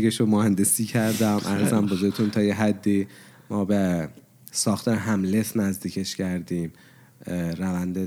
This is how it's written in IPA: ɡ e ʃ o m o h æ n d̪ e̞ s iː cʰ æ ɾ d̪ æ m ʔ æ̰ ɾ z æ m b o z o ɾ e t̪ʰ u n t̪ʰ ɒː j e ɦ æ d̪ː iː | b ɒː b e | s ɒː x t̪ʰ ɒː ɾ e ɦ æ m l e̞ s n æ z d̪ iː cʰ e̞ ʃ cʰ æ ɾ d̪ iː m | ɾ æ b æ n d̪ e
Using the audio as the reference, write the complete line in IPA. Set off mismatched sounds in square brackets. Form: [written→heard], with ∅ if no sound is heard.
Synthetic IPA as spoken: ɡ e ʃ o m o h æ n d̪ e̞ s iː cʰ æ ɾ d̪ æ m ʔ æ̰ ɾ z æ m b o z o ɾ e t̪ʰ u n t̪ʰ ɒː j e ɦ æ d̪ː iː | [b→m] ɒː b e | s ɒː x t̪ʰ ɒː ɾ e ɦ æ m l e̞ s n æ z d̪ iː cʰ e̞ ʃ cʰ æ ɾ d̪ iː m | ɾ æ [b→v] æ n d̪ e